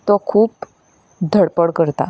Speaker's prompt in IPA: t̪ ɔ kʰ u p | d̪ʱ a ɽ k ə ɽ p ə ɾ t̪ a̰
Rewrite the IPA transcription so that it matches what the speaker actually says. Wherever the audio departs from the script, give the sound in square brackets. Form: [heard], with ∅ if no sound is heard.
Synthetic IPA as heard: t̪ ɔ kʰ [uː] p | d̪ʱ [ə] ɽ [p] ə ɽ [k] ə ɾ t̪ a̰